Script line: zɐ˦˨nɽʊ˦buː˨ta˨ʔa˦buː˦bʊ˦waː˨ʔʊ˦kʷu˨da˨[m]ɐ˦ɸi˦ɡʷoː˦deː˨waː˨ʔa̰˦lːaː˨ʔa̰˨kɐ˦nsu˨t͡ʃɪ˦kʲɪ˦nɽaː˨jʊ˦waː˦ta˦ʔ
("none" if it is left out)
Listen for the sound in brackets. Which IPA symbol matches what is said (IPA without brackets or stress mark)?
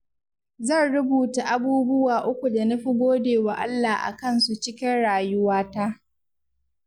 n